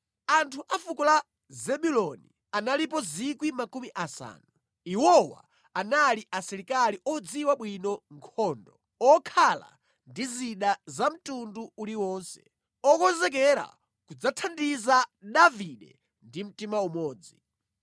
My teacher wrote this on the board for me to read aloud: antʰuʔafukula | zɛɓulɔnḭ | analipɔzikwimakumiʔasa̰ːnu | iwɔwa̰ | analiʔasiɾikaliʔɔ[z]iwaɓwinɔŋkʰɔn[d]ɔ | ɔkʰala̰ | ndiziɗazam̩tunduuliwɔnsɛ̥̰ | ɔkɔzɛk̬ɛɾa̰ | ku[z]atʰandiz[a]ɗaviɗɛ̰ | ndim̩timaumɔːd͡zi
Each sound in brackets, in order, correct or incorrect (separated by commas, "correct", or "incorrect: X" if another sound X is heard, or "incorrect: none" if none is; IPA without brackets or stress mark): incorrect: d͡z, correct, incorrect: d͡z, correct